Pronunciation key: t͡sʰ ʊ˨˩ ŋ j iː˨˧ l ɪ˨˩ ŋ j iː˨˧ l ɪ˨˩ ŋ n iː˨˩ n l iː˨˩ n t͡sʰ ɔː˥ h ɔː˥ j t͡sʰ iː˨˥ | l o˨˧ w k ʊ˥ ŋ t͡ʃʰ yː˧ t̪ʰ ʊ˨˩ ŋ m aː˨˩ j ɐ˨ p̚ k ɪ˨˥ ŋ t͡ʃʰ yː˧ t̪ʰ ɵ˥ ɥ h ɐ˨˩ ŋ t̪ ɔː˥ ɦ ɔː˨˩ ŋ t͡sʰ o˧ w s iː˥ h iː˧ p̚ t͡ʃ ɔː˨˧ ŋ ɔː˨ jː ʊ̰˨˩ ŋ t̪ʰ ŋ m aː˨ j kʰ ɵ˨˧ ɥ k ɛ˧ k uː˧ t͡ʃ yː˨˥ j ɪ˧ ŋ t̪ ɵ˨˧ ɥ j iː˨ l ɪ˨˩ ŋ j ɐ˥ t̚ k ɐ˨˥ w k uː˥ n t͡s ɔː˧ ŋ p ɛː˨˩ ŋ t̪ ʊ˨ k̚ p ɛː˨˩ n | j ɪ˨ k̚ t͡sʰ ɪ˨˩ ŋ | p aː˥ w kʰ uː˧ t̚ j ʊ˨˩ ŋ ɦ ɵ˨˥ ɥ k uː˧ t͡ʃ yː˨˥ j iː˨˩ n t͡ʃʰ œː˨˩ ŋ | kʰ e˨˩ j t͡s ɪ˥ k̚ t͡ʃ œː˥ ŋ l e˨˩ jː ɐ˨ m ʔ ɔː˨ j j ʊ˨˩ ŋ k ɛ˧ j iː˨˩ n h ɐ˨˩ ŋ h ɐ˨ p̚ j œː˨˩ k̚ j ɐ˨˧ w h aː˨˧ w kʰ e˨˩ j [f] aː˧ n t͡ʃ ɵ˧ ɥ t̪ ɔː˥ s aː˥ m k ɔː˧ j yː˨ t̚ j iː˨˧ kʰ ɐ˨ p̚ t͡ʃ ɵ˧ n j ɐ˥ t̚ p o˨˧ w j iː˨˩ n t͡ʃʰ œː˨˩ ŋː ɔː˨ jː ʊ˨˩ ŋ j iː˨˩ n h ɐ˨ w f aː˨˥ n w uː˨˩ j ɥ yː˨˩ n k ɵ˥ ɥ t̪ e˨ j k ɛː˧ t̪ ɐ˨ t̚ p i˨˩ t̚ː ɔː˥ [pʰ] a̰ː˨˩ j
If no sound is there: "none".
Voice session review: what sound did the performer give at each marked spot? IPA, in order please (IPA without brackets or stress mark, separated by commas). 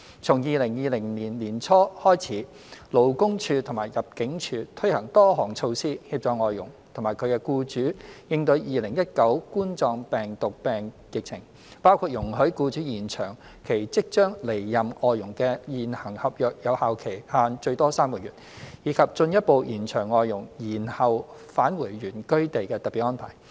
h, pʰ